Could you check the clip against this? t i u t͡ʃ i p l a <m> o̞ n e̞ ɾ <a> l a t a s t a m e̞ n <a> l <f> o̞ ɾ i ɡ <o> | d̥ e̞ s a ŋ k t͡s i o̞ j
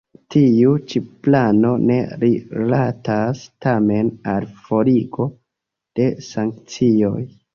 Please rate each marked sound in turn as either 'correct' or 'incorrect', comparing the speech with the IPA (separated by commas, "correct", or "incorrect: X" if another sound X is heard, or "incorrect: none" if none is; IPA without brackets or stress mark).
incorrect: n, incorrect: i, correct, correct, correct